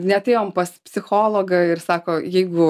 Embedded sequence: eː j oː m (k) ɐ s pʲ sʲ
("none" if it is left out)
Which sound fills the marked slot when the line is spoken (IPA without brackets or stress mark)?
p